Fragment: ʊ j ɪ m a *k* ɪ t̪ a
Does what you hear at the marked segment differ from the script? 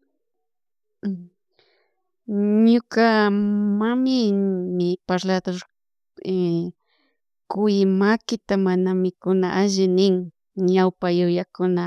no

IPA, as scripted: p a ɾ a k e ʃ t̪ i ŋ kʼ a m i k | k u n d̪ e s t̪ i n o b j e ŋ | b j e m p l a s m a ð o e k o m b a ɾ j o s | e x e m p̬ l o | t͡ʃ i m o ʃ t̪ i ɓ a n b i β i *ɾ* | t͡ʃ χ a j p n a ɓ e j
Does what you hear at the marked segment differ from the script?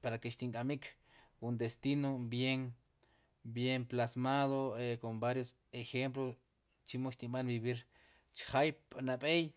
no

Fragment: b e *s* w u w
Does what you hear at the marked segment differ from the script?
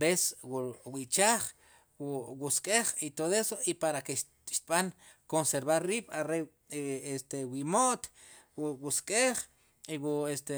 no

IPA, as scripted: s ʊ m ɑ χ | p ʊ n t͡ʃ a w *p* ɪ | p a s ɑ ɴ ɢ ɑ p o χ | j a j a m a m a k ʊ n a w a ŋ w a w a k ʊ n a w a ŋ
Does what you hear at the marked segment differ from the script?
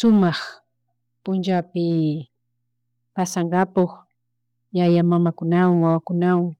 no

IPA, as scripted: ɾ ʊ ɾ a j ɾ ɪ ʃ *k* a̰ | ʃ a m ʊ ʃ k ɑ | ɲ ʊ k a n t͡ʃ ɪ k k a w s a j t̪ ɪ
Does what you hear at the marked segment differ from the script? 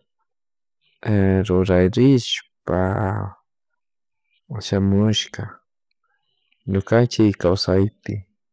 yes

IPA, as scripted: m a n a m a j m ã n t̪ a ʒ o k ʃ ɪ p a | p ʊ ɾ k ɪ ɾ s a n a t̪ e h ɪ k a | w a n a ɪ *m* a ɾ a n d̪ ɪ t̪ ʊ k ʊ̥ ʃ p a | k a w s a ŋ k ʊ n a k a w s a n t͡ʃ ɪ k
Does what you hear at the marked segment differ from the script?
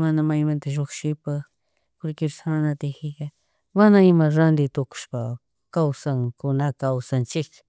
no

